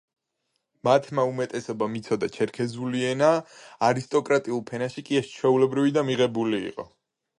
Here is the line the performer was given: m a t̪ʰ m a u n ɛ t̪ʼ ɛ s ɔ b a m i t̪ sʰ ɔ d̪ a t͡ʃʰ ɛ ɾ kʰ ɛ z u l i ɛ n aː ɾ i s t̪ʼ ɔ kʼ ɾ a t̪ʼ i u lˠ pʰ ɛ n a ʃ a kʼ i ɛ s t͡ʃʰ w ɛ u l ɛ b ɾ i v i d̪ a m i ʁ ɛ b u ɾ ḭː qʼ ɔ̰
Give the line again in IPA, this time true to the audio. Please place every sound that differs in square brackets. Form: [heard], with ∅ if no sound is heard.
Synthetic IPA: m a t̪ʰ m a u [m] ɛ t̪ʼ ɛ s ɔ b a m i t̪ sʰ ɔ d̪ a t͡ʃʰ ɛ ɾ kʰ ɛ z u l i ɛ n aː ɾ i s t̪ʼ ɔ kʼ ɾ a t̪ʼ i u lˠ pʰ ɛ n a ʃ [i] kʼ i ɛ s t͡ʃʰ w ɛ u l ɛ b ɾ i v i d̪ a m i ʁ ɛ b u [l] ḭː qʼ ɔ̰

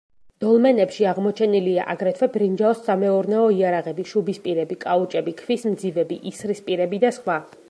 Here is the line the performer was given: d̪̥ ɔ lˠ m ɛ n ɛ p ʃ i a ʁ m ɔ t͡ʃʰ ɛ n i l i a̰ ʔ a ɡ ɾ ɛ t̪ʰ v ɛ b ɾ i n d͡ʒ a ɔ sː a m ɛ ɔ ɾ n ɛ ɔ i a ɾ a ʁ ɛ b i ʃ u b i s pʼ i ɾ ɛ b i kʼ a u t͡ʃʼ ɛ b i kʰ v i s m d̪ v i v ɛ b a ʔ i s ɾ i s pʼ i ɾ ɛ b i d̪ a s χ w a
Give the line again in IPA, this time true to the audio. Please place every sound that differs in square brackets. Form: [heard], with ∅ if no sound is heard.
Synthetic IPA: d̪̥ ɔ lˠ m ɛ n ɛ p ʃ i a ʁ m ɔ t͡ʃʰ ɛ n i l i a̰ ʔ a ɡ ɾ ɛ t̪ʰ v ɛ b ɾ i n d͡ʒ a ɔ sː a m ɛ ɔ ɾ n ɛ ɔ i a ɾ a ʁ ɛ b i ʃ u b i s pʼ i ɾ ɛ b i kʼ a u t͡ʃʼ ɛ b i kʰ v i s m d̪ [z] i v ɛ b [i] ʔ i s ɾ i s pʼ i ɾ ɛ b i d̪ a s χ w a

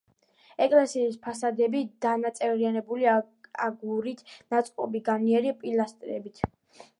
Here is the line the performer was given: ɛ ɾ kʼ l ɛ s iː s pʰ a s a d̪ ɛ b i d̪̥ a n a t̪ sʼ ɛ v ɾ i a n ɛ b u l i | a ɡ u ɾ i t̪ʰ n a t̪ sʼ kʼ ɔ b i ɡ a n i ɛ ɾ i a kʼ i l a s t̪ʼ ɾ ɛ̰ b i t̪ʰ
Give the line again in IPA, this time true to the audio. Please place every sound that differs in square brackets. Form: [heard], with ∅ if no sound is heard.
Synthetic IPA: ɛ [∅] kʼ l ɛ s iː s pʰ a s a d̪ ɛ b i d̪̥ a n a t̪ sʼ ɛ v ɾ i a n ɛ b u l i | a ɡ u ɾ i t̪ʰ n a t̪ sʼ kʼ ɔ b i ɡ a n i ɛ ɾ i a [pʼ] i l a s t̪ʼ ɾ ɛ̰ b i t̪ʰ

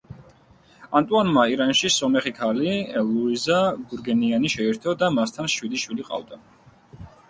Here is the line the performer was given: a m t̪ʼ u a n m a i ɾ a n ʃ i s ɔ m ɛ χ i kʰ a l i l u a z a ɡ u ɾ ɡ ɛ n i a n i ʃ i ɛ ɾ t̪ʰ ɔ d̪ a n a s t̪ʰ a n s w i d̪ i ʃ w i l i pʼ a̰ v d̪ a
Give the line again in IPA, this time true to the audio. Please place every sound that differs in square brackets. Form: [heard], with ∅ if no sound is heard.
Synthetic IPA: a [n] t̪ʼ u a n m a i ɾ a n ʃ i s ɔ m ɛ χ i kʰ a l i l u [i] z a ɡ u ɾ ɡ ɛ n i a n i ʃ [ɛ] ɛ ɾ t̪ʰ ɔ d̪ a [m] a s t̪ʰ a n [ʃ] w i d̪ i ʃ w i l i [qʼ] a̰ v d̪ a

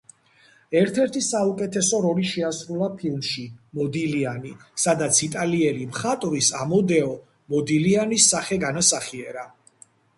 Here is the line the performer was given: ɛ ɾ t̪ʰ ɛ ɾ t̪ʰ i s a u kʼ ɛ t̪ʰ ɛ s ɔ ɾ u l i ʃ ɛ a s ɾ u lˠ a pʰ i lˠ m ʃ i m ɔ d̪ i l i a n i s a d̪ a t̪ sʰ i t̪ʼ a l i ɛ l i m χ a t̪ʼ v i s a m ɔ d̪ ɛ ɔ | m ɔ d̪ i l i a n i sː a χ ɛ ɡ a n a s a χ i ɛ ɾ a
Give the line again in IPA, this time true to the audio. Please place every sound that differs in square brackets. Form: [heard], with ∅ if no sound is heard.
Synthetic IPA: ɛ ɾ t̪ʰ ɛ ɾ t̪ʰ i s a u kʼ ɛ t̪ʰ ɛ s ɔ ɾ [ɔ] l i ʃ ɛ a s ɾ u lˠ a pʰ i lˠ m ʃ i m ɔ d̪ i l i a n i s a d̪ a t̪ sʰ i t̪ʼ a l i ɛ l i m χ a t̪ʼ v i s a m ɔ d̪ ɛ ɔ | m ɔ d̪ i l i a n i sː a χ ɛ ɡ a n a s a χ i ɛ ɾ a

